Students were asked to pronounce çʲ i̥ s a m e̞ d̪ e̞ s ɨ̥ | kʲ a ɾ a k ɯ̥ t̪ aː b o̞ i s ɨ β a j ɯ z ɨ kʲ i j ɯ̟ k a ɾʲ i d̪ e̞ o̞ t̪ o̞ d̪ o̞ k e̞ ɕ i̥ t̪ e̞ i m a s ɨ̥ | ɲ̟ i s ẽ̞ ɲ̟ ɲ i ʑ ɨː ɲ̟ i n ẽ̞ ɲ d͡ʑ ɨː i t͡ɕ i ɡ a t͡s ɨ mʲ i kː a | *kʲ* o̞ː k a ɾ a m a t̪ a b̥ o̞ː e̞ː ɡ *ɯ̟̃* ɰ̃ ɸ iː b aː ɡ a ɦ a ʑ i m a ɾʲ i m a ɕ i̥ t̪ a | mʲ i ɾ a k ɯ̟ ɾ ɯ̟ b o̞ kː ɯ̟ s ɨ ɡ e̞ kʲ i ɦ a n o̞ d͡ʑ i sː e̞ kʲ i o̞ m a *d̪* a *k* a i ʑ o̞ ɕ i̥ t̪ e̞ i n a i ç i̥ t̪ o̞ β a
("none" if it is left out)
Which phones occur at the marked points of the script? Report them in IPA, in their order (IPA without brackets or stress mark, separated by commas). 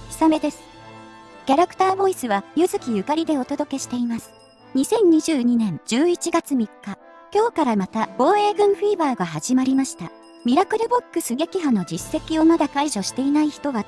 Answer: kʲ, ɯ̟̃, d̪, k